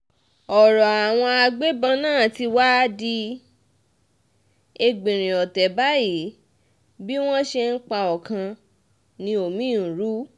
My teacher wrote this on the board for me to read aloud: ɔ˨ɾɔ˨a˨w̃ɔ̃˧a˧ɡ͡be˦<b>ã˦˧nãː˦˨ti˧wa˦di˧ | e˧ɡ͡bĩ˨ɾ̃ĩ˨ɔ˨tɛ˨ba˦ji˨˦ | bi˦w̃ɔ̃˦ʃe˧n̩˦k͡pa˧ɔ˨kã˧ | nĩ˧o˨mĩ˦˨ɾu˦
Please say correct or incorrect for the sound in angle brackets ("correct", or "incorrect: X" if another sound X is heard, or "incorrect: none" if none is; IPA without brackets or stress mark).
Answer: correct